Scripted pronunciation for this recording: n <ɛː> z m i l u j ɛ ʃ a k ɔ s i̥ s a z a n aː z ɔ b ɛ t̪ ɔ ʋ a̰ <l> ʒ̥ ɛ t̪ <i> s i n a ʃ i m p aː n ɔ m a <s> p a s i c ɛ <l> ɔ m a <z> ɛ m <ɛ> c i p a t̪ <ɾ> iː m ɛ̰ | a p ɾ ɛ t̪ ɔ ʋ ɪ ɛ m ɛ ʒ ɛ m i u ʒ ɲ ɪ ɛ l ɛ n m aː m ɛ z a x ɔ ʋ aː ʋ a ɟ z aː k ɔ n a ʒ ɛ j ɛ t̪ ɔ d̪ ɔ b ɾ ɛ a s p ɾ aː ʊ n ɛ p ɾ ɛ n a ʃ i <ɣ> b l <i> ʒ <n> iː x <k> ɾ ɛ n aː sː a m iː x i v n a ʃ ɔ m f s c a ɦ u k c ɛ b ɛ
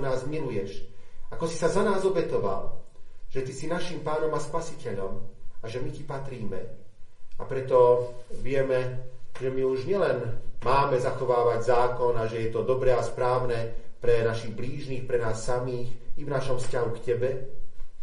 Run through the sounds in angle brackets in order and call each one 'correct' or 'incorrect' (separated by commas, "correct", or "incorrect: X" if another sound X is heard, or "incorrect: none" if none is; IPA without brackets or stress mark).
incorrect: aː, correct, correct, correct, incorrect: ʎ, incorrect: ʒ, incorrect: i, correct, correct, incorrect: iː, correct, incorrect: p